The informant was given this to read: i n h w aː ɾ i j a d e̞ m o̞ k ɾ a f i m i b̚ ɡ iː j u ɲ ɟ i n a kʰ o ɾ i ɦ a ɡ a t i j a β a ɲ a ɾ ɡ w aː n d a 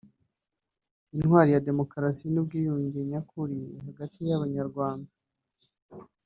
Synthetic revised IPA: i n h w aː ɾ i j a d e̞ m o̞ k ɾ a s i n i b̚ ɡ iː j u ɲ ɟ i ɲ a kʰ u ɾ i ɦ a ɡ a t i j a β a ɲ a ɾ ɡ w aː n d a